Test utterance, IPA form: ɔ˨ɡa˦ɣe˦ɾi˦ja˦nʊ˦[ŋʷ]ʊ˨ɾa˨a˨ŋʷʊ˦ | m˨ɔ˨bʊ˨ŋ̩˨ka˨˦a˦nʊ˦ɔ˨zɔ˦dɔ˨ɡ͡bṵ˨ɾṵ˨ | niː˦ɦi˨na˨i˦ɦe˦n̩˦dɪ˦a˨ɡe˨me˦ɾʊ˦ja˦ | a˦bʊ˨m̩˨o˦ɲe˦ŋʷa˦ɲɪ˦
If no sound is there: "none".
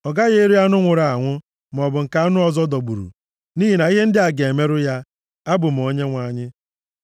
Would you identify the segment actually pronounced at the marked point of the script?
ŋʷ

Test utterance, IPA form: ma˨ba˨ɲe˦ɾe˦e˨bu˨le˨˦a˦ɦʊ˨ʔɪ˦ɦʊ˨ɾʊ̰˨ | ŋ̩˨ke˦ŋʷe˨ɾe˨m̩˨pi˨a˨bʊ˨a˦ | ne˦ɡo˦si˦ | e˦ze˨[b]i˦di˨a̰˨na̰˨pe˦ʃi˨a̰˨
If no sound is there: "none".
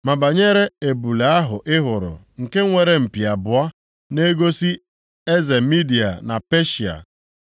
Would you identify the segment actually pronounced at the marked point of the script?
m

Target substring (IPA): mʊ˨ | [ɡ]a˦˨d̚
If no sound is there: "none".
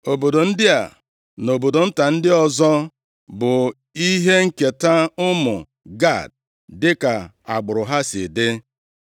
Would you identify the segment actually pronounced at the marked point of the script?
ɡ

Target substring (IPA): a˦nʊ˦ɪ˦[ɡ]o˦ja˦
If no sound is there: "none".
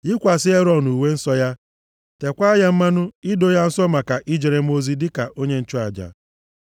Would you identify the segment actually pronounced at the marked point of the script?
d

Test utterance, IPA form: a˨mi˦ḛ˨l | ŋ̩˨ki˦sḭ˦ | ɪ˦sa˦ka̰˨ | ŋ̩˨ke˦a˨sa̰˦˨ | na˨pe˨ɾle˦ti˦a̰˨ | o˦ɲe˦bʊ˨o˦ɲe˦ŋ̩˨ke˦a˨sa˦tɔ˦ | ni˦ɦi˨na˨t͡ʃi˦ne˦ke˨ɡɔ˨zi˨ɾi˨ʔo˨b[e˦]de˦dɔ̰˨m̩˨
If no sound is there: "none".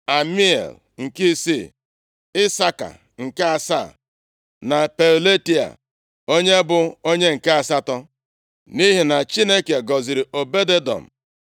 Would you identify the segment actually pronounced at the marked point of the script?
e˦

